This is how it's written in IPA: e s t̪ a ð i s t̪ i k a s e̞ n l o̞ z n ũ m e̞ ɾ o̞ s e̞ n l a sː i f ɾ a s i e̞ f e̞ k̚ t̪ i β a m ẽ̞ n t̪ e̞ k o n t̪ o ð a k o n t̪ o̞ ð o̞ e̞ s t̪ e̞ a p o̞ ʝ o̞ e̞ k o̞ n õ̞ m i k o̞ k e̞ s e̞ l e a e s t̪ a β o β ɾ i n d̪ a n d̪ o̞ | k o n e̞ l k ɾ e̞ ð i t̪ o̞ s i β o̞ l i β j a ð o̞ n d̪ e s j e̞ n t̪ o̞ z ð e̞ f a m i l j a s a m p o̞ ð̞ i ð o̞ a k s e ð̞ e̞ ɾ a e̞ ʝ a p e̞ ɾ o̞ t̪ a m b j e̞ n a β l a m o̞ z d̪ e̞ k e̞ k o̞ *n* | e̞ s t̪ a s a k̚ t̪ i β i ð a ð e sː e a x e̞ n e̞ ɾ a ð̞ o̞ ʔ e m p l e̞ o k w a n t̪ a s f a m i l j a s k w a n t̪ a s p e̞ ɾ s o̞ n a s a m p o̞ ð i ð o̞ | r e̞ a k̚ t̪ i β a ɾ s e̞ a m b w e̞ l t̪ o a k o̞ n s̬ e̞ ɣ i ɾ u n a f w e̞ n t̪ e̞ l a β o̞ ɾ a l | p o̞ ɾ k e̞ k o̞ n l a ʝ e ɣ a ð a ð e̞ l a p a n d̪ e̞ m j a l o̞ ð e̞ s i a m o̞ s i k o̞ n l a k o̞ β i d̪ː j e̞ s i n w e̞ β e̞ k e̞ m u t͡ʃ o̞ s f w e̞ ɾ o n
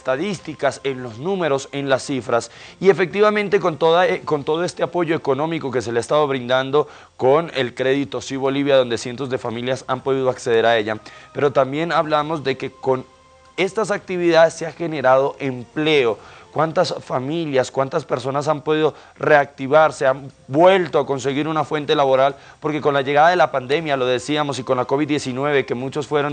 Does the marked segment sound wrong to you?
no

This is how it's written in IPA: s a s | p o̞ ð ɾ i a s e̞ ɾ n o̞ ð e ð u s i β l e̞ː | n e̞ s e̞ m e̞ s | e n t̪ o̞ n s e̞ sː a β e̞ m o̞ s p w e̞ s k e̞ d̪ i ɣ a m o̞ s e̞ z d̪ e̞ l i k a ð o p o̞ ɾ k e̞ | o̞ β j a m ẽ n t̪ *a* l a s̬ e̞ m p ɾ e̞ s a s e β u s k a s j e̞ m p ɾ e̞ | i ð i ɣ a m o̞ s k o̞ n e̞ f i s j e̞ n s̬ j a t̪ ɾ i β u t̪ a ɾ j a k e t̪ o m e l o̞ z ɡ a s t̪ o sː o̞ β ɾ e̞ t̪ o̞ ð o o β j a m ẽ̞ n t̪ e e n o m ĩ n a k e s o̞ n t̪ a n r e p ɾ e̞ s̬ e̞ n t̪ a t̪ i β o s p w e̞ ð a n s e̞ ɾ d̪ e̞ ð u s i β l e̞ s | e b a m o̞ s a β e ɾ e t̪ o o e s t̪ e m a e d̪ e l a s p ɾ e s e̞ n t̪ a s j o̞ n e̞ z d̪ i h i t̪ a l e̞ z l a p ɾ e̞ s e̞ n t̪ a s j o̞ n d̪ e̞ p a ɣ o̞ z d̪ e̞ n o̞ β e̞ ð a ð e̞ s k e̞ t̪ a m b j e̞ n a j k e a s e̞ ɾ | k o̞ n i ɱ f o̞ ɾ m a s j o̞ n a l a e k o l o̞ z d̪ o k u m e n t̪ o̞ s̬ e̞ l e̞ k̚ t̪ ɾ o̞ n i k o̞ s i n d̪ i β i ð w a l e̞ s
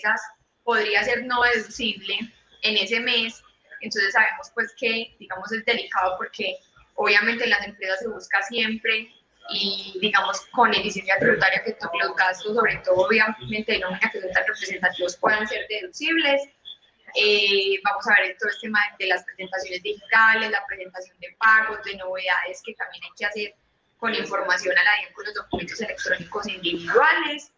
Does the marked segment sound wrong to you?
yes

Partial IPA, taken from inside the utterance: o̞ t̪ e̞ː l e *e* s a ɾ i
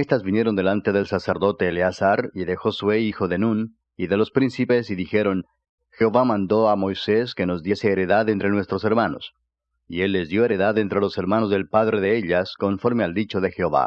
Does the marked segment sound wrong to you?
yes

